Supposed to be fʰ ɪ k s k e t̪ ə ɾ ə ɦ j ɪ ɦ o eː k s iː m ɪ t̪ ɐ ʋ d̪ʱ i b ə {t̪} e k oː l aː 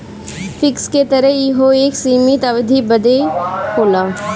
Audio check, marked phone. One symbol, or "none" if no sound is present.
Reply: d̪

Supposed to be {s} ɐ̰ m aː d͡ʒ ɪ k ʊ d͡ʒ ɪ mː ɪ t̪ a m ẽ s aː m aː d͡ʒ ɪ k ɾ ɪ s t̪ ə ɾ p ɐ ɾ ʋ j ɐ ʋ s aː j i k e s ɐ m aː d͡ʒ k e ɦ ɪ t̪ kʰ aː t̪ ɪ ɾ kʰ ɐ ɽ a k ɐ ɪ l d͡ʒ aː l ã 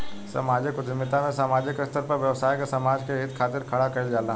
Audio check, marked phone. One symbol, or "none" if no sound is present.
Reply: s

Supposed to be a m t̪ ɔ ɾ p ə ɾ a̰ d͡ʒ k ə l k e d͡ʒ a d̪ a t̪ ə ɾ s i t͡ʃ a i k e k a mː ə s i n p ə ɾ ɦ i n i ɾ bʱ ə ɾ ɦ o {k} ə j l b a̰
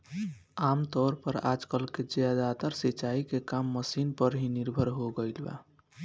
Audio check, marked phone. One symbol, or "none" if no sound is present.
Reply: ɡ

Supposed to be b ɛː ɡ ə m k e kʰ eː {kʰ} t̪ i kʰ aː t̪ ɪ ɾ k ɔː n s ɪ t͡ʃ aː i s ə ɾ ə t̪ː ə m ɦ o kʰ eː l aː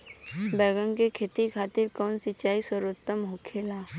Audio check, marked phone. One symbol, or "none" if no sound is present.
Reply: none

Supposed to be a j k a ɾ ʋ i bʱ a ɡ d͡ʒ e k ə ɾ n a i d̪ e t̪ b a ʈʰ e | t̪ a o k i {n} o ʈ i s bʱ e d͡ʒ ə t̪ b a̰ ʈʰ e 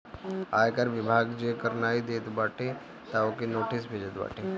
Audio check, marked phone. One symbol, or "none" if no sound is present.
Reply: n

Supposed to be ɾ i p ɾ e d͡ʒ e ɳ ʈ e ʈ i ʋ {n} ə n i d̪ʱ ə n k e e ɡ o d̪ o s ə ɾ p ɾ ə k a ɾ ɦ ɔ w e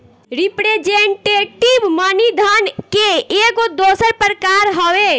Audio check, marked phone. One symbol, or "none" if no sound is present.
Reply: m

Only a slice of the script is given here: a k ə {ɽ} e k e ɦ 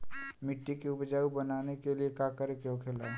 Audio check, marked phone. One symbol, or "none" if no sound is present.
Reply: ɾ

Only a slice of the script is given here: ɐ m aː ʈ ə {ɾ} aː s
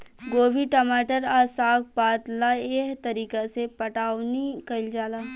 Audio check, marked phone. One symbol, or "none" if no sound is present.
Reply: ɾ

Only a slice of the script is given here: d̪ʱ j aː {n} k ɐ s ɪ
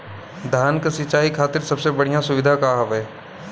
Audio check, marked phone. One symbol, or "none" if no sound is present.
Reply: n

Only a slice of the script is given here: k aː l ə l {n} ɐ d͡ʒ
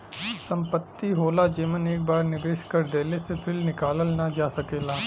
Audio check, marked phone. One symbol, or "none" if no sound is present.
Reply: n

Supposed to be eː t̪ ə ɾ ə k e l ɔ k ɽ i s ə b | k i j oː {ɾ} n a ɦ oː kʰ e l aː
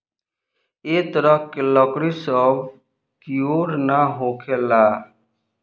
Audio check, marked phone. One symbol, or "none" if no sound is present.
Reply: ɾ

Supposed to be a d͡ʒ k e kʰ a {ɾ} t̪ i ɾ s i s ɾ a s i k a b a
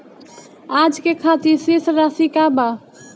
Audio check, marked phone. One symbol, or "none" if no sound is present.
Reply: none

